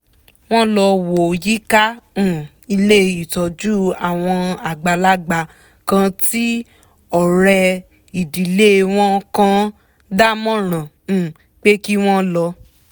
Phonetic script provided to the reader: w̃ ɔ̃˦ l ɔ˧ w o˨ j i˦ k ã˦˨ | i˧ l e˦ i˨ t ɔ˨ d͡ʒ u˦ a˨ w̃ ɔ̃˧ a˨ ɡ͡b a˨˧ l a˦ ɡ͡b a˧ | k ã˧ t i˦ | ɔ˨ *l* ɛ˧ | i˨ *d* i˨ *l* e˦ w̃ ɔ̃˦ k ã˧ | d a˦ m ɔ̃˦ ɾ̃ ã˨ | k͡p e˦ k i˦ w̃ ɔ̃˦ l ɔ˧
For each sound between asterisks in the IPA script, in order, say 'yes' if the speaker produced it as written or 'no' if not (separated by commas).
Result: no, yes, yes